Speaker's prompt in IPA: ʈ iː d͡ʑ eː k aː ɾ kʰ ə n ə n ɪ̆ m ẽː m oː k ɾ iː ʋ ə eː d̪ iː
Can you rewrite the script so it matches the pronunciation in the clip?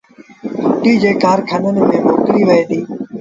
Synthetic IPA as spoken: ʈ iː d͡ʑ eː k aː ɾ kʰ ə n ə n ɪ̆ m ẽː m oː k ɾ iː ʋ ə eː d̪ iː